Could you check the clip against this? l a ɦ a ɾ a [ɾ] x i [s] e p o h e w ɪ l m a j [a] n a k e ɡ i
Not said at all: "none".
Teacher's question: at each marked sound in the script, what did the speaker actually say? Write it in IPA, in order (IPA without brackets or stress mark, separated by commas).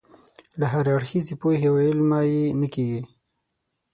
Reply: ɽ, z, e